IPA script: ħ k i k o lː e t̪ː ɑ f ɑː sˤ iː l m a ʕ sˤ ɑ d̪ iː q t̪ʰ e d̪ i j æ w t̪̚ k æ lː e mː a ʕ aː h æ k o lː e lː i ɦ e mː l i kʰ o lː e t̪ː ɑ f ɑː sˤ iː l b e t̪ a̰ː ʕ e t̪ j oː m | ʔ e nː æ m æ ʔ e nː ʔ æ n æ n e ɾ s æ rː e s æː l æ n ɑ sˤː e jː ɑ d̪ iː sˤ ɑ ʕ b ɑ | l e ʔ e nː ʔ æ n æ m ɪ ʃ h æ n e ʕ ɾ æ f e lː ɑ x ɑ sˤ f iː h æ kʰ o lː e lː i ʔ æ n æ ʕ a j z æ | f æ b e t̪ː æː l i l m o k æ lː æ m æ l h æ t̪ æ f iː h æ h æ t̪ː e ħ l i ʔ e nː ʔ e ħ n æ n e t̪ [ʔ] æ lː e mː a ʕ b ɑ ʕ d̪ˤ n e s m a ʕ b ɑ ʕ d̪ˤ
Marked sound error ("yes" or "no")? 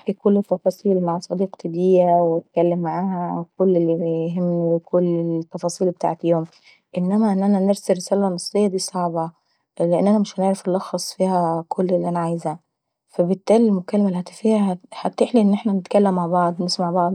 yes